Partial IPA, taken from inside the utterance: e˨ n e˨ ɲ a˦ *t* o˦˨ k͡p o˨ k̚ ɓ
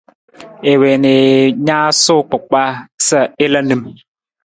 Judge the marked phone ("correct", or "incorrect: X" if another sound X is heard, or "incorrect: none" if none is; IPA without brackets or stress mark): incorrect: s